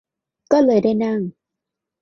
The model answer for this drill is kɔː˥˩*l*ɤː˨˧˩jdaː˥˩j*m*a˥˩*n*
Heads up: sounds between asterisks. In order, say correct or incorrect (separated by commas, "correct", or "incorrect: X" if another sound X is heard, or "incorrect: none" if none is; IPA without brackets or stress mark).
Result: correct, incorrect: n, incorrect: ŋ